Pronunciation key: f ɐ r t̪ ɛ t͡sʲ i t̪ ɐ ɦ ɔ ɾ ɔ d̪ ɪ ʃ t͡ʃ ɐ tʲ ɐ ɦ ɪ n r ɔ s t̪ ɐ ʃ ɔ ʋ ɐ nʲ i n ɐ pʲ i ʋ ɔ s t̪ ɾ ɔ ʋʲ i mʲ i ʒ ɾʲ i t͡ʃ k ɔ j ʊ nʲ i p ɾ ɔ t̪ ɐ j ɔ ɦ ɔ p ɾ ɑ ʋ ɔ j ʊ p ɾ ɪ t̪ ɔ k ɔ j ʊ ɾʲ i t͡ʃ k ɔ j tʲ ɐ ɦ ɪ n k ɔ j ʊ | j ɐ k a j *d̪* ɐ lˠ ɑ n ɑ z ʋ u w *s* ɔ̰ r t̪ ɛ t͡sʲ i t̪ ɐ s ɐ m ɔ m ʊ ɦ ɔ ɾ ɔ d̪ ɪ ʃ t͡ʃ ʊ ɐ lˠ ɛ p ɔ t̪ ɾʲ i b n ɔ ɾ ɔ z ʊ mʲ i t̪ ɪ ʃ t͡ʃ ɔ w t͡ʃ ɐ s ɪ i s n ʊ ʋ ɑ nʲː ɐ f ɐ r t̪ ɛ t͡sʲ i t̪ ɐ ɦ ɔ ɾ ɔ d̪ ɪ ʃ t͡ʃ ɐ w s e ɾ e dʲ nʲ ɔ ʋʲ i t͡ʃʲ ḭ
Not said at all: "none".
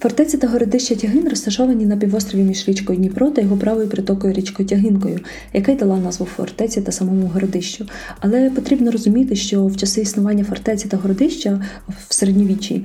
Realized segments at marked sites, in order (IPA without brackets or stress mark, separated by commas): d̪, f